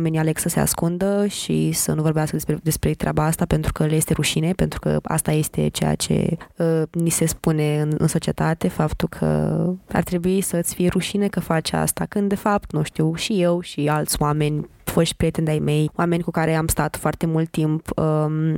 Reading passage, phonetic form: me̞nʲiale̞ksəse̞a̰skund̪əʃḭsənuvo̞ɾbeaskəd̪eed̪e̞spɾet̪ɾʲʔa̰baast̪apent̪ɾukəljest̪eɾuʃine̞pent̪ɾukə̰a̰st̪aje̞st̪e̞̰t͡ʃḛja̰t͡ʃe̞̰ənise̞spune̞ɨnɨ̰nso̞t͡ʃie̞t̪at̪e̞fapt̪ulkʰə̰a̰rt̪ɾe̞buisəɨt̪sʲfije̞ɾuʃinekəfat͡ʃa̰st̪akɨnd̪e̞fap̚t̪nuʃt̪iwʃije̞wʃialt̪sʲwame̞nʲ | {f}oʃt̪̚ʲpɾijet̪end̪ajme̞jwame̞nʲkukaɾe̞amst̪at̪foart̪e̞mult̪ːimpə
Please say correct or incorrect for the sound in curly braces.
correct